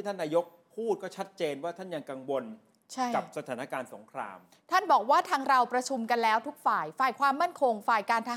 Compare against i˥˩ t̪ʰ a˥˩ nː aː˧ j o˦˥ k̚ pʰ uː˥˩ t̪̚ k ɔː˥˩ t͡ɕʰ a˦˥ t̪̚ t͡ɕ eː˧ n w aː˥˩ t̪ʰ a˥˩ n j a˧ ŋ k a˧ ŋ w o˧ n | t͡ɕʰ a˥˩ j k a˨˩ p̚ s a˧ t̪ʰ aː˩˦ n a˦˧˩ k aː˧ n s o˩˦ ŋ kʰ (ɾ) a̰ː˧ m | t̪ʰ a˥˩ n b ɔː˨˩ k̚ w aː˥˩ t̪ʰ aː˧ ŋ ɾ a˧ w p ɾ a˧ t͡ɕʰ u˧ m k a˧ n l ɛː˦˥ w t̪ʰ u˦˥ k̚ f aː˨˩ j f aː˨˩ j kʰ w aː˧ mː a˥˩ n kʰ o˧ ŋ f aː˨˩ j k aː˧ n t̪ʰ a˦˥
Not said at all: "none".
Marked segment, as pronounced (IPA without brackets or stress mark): ɾ